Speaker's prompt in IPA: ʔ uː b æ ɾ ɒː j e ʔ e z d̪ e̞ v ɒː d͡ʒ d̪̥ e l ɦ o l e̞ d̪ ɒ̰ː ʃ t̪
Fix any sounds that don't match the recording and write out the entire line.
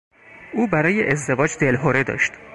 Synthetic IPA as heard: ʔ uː b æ ɾ ɒː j e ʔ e z d̪ e̞ v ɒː d͡ʒ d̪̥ e l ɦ o ɾ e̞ d̪ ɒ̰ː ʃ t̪